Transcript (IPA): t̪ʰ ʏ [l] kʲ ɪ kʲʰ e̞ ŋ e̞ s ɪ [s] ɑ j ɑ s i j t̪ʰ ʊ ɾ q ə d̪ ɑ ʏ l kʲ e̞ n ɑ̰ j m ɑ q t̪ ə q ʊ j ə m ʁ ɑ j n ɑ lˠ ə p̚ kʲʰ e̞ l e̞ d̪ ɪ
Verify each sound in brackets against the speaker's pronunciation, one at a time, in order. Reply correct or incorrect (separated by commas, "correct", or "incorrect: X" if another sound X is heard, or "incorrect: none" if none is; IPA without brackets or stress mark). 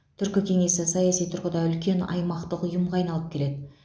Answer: incorrect: ɾ, correct